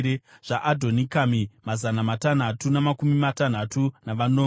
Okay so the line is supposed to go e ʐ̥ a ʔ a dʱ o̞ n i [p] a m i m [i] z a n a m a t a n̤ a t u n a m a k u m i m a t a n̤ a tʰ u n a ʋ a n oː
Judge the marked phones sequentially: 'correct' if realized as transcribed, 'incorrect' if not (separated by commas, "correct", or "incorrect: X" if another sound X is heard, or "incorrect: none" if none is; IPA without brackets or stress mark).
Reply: incorrect: k, incorrect: a